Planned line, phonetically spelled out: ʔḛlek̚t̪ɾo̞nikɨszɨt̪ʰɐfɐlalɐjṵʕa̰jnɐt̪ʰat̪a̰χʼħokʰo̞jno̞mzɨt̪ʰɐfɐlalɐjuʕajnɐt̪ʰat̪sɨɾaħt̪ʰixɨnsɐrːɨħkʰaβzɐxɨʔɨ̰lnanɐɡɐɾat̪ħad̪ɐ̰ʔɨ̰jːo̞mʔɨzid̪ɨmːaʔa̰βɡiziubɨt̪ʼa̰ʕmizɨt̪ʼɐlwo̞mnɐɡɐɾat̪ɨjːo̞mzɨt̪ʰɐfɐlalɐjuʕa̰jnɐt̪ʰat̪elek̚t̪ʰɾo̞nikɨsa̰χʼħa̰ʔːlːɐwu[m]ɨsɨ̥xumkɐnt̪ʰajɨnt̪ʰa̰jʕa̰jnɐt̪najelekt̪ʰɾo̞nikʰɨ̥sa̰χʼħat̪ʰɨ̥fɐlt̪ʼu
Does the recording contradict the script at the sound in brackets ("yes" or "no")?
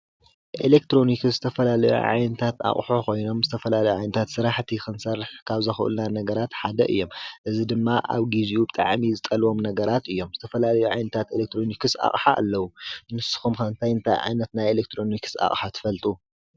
yes